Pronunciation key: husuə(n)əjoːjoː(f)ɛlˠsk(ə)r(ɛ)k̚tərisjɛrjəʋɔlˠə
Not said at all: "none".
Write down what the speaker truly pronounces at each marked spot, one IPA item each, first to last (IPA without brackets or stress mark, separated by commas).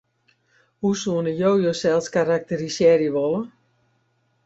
n, s, a, a